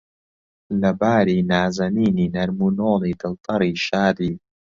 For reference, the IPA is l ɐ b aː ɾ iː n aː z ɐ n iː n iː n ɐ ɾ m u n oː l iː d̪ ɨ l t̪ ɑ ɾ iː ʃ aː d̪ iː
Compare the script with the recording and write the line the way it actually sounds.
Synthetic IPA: l ɐ b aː ɾ iː n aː z ɐ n iː n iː n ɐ ɾ m u n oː l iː d̪ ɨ l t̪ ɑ ɾ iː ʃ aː d̪ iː